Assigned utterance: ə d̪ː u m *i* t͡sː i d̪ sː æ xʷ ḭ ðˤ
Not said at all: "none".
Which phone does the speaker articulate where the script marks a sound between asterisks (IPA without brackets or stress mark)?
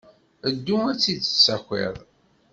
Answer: æ